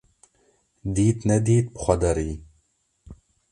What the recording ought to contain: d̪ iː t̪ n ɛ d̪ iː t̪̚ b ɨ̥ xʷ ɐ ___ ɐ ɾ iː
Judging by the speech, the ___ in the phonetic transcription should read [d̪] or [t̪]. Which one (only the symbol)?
d̪